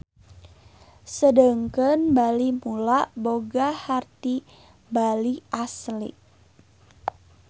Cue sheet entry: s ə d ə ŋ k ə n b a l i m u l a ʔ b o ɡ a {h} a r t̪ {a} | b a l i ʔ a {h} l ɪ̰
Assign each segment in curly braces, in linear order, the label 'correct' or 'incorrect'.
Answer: correct, incorrect: i, incorrect: s

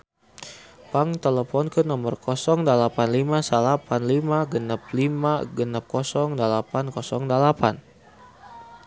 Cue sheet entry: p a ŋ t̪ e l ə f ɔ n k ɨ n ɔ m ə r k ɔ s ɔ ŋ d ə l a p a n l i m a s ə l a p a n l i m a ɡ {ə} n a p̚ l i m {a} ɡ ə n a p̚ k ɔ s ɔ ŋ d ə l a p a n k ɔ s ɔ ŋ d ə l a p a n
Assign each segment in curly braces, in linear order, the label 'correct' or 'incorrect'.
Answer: correct, correct

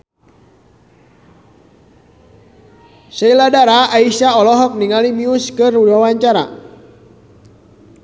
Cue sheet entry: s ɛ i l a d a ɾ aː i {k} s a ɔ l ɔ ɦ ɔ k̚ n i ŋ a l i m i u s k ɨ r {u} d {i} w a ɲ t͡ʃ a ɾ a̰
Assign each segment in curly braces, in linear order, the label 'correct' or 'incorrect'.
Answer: incorrect: none, correct, incorrect: a

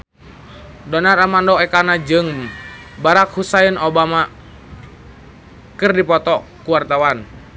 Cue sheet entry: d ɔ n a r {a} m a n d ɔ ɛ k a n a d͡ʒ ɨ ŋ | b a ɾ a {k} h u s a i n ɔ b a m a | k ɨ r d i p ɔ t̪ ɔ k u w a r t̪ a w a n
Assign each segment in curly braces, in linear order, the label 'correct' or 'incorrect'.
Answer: correct, correct

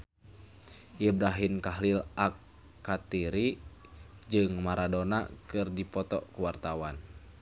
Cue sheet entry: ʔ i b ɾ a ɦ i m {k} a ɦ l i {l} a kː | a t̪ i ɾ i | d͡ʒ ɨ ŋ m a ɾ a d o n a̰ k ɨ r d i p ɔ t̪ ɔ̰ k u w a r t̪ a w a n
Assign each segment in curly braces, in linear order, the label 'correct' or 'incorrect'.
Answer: correct, correct

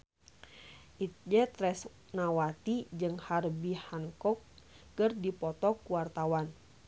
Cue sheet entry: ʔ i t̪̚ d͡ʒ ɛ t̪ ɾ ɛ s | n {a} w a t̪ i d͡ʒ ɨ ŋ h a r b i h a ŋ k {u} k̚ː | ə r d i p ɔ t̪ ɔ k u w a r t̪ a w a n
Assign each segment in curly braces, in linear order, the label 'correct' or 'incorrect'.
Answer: correct, incorrect: ɔ

